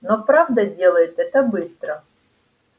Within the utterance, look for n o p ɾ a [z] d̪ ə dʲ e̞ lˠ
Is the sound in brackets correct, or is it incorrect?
incorrect: v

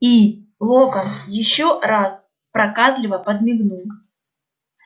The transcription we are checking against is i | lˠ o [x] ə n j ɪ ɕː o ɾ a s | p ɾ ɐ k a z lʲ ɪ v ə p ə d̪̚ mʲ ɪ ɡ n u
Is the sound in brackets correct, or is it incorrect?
incorrect: k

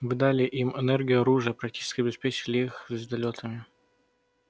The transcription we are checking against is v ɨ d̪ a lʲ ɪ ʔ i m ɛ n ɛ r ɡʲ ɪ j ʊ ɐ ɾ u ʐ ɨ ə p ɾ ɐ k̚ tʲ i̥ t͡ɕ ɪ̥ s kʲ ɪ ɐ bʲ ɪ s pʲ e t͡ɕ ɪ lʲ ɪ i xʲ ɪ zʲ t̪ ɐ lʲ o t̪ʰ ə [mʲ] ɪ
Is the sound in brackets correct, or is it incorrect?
correct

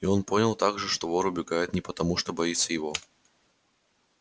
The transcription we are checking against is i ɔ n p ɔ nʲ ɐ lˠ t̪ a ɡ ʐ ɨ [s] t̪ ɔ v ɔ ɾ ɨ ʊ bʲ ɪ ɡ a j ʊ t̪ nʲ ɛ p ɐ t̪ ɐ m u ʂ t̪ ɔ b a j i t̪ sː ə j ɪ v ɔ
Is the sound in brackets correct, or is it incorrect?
incorrect: ʂ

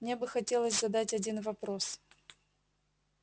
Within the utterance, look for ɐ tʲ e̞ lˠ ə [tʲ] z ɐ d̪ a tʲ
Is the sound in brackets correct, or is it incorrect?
incorrect: sʲ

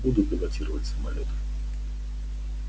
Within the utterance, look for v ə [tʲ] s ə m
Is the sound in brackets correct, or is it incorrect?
correct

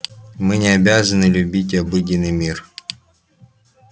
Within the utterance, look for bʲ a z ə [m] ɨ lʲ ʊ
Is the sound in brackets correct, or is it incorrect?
incorrect: n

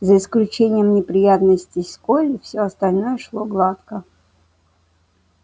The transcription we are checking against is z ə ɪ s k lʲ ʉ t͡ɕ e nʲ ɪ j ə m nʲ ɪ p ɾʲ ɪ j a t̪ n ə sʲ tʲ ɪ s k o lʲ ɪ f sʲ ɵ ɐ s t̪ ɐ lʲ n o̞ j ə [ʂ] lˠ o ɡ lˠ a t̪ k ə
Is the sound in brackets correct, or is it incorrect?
correct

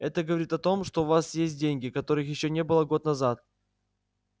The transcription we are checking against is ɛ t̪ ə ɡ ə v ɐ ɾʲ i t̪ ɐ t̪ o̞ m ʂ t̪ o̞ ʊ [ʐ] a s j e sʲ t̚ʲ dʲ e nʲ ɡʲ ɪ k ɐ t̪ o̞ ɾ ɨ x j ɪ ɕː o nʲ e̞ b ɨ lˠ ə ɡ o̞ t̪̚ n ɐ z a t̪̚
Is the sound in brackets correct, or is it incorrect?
incorrect: v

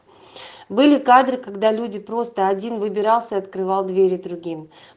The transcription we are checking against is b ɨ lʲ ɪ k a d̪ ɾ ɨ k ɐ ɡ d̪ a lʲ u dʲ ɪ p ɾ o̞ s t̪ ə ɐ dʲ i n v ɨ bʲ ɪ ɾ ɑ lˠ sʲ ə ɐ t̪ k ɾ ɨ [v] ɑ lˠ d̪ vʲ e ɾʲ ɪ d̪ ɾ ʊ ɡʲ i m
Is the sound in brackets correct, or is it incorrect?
correct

